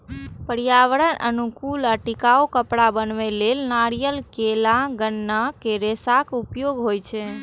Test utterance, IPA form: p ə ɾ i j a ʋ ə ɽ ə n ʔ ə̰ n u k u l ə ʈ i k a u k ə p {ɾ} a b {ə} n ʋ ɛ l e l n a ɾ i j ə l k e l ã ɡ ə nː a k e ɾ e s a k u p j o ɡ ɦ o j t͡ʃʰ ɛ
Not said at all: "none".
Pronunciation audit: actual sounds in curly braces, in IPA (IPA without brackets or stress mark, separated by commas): ɽ, ə